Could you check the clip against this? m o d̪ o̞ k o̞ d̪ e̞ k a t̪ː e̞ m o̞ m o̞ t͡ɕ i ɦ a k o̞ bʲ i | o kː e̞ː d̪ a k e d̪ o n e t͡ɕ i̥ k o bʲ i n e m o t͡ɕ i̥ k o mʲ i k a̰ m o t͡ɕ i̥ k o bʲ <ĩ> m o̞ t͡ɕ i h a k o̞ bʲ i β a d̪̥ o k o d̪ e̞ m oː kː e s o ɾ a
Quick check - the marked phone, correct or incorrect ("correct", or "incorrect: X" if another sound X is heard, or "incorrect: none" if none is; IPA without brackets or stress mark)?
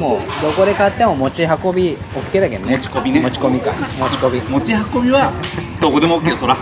incorrect: i